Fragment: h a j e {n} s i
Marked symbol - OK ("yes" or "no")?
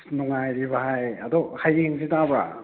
no